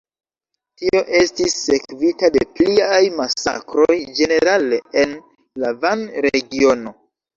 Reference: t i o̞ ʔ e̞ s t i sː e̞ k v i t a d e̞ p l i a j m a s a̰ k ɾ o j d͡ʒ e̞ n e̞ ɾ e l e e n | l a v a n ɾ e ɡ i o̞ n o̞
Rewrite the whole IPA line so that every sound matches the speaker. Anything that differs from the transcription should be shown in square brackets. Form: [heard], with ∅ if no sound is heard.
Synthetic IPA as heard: t i o̞ ʔ e̞ s t i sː e̞ k v i t a d e̞ p l i a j m a s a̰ k ɾ o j d͡ʒ e̞ n e̞ ɾ [a] l e e n | l a v a n ɾ e ɡ i o̞ n o̞